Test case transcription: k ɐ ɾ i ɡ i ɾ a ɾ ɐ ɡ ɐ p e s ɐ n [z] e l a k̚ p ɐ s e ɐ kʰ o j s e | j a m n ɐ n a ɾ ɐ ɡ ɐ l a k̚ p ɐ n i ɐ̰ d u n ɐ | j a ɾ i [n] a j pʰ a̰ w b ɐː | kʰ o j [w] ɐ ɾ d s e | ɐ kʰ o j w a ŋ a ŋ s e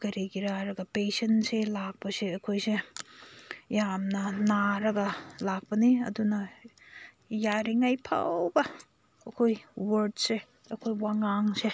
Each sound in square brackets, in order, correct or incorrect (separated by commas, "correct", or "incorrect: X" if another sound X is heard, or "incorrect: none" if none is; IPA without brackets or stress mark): incorrect: s, incorrect: ŋ, correct